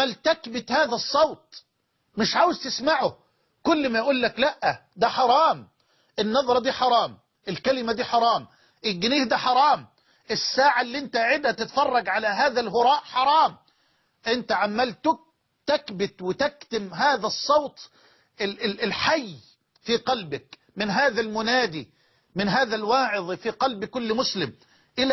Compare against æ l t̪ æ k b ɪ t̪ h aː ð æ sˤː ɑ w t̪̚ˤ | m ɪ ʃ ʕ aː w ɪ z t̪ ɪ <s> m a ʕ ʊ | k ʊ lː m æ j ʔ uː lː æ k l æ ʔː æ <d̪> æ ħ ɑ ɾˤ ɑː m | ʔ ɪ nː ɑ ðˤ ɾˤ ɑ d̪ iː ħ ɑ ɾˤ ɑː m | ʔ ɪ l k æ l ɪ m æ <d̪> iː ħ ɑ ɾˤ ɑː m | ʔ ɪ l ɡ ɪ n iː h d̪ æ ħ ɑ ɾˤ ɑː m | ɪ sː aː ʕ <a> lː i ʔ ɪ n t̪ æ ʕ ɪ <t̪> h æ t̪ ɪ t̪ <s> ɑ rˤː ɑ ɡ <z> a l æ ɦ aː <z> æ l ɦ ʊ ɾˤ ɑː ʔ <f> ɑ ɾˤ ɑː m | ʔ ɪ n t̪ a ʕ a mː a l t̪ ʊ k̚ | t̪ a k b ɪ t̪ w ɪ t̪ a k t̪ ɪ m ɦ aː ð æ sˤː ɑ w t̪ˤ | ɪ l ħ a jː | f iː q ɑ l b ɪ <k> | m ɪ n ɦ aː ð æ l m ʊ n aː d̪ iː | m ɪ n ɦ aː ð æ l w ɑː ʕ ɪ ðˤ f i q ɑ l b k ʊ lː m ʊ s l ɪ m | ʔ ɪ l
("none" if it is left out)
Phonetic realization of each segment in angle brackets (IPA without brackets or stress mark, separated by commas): s, d̪, d̪, a, d̪, f, ʕ, ð, ħ, k